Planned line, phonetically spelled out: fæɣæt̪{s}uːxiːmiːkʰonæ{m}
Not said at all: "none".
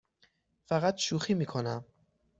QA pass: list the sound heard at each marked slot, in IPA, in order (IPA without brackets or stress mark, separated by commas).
ʃ, m